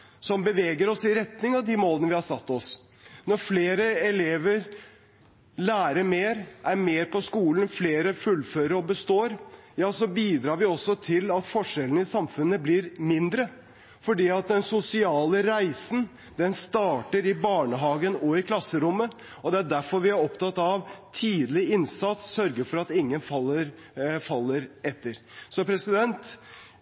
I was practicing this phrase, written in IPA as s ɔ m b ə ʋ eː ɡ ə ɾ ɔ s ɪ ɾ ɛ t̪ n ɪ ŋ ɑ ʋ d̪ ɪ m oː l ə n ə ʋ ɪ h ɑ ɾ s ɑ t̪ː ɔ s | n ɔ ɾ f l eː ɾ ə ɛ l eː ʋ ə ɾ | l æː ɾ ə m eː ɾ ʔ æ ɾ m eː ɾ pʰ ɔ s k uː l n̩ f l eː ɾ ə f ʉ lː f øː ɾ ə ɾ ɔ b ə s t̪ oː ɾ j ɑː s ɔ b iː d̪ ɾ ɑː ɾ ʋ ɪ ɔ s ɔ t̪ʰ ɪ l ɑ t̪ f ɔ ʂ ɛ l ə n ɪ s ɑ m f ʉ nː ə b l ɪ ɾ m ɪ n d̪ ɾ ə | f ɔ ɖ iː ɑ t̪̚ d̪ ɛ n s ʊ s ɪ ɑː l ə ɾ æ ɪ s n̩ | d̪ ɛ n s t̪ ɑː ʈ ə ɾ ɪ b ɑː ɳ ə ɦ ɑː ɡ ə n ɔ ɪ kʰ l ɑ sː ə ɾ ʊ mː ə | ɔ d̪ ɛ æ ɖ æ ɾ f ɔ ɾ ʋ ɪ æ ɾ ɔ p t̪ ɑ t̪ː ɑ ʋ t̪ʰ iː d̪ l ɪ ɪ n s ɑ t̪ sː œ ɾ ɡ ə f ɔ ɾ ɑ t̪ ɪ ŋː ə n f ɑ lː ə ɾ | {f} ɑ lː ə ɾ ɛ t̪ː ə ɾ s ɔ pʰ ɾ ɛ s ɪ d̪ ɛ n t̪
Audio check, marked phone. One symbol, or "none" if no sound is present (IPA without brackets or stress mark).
f